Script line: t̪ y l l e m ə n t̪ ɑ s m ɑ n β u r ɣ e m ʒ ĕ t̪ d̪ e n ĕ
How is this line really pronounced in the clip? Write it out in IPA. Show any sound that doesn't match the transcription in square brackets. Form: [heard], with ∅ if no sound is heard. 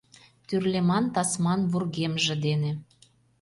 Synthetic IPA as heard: t̪ y [r] l e m [ɑ] n t̪ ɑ s m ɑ n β u r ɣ e m ʒ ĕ [∅] d̪ e n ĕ